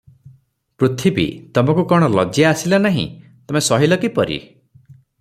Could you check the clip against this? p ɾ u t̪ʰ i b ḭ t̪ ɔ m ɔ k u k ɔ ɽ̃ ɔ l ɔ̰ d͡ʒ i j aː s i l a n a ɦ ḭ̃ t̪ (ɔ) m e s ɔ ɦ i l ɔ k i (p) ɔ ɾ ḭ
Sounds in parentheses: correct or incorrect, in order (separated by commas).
correct, correct